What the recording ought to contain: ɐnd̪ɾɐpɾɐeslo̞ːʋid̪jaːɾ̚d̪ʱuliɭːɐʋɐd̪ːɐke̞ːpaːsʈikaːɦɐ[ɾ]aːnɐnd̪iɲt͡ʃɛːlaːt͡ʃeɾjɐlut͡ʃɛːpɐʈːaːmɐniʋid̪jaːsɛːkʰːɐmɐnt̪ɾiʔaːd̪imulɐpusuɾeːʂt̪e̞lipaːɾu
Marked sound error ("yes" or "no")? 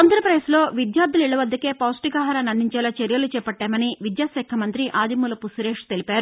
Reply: no